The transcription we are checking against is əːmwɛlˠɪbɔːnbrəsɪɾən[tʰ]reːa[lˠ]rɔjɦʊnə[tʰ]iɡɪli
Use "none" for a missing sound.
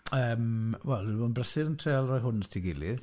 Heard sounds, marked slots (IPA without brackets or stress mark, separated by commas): tʰ, lˠ, tʰ